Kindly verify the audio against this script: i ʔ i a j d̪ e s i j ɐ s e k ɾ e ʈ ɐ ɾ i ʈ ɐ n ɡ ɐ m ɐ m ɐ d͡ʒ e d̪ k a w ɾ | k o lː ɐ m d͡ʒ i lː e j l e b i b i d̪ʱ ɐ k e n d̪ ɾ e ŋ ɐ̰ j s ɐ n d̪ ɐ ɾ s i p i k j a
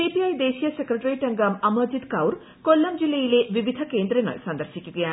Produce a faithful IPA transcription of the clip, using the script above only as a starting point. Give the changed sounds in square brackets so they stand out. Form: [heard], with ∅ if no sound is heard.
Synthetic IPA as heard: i [p] i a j d̪ e s i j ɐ s e k ɾ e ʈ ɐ ɾ i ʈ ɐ [ŋ] ɡ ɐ m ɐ m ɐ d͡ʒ [i] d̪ k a w ɾ | k o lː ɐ m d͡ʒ i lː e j l e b i b i d̪ʱ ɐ k e n d̪ ɾ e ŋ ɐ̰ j s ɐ n d̪ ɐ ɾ s i [k] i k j a

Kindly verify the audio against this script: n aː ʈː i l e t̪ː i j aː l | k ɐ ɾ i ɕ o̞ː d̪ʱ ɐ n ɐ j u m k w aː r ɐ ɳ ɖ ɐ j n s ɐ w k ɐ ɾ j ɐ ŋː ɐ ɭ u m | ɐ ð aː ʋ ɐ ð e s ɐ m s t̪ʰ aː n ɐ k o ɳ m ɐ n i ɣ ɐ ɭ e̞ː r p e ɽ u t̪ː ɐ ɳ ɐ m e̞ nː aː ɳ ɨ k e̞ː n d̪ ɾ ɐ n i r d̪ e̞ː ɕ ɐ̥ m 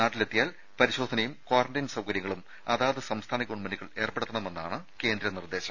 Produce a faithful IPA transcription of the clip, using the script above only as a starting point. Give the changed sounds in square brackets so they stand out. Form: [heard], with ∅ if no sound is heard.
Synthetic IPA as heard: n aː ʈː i l e t̪ː i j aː l | [p] ɐ ɾ i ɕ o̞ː d̪ʱ ɐ n ɐ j u m k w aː r ɐ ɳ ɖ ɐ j n s ɐ w k ɐ ɾ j ɐ ŋː ɐ ɭ u m | ɐ ð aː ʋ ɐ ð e s ɐ m s t̪ʰ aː n ɐ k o ɳ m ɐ n i ɣ ɐ ɭ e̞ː r p e ɽ u t̪ː ɐ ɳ ɐ m e̞ nː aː ɳ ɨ k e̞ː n d̪ ɾ ɐ n i r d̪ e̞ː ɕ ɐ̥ m

